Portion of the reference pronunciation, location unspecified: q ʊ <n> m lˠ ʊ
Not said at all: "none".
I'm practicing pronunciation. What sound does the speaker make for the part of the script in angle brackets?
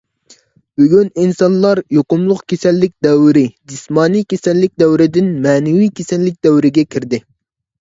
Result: none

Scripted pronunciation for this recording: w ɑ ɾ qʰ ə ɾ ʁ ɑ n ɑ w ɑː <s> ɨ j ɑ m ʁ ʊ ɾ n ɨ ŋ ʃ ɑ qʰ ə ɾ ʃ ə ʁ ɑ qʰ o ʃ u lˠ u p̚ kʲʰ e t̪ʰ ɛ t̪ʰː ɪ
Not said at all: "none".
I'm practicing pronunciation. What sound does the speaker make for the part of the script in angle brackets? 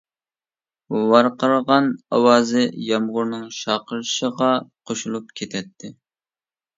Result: z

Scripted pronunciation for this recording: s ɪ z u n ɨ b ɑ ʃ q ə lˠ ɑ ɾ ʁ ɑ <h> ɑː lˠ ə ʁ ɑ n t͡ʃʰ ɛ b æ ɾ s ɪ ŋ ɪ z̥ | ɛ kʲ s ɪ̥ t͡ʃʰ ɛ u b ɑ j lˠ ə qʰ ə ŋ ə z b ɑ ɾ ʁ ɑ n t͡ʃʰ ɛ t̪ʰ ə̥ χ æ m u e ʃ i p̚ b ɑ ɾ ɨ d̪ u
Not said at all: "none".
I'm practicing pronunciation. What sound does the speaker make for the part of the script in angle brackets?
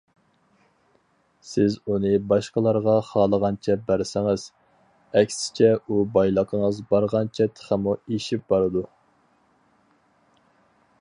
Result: χ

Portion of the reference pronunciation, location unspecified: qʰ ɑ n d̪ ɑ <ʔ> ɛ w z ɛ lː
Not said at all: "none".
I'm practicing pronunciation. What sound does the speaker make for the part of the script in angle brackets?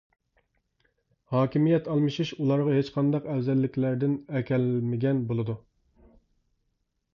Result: q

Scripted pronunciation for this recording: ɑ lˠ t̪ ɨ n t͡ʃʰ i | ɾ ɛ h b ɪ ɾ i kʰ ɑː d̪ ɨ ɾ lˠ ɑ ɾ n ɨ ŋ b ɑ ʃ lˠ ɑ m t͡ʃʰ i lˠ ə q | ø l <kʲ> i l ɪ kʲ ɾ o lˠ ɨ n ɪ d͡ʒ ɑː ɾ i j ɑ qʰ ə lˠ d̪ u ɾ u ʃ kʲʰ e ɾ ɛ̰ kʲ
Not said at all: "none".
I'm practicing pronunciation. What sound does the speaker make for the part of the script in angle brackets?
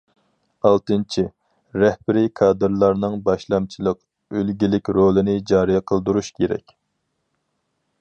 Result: ɡʲ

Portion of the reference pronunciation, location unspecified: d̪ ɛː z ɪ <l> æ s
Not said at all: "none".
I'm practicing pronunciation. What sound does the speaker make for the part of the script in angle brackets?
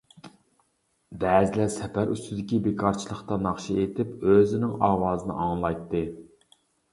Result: l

